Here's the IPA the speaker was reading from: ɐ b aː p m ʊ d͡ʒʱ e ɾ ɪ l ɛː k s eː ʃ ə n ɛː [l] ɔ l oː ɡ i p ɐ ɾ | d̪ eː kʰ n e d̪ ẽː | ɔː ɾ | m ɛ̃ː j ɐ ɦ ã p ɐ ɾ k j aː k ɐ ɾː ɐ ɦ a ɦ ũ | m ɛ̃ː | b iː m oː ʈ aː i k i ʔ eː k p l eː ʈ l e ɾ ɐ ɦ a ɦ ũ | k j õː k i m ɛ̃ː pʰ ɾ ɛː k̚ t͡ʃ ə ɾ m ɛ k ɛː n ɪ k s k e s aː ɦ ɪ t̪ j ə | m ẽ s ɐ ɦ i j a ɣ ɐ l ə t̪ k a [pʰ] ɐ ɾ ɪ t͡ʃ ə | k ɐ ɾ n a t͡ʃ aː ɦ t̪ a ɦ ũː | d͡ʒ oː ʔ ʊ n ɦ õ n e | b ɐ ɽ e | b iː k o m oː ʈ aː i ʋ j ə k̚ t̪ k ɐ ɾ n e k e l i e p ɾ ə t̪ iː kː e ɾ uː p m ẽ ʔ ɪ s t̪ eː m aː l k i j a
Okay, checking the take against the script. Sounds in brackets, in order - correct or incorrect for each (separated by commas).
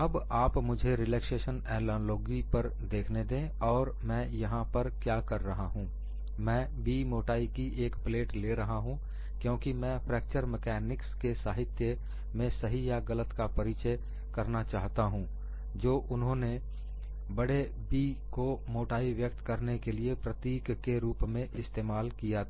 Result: correct, incorrect